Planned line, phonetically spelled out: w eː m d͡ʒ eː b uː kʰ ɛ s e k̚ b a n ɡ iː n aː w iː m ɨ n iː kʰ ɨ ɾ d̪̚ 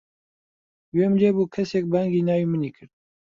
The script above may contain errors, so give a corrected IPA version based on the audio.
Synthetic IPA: w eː m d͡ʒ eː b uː kʰ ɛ s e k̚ b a ŋ ɡ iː n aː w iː m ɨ n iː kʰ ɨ ɾ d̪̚